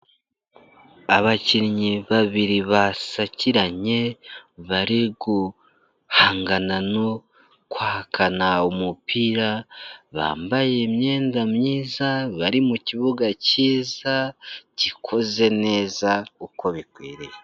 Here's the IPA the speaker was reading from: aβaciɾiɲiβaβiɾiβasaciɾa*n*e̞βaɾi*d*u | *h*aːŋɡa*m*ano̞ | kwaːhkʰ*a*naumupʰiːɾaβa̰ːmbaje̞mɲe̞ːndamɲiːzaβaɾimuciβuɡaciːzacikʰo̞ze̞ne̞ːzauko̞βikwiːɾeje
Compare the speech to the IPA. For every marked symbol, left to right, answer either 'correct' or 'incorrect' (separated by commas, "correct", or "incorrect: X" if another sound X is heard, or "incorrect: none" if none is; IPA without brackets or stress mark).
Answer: incorrect: ɲ, incorrect: ɡ, correct, incorrect: n, correct